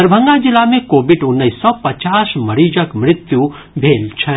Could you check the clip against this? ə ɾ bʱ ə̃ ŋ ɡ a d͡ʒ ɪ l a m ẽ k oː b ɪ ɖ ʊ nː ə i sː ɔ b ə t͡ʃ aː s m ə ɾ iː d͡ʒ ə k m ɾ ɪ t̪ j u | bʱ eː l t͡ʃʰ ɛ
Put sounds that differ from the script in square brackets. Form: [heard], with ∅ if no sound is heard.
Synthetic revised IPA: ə ɾ bʱ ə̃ ŋ ɡ a d͡ʒ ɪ l a m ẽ k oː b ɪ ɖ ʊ nː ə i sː ɔ [p] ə t͡ʃ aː s m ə ɾ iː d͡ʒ ə k m ɾ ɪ t̪ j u | bʱ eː l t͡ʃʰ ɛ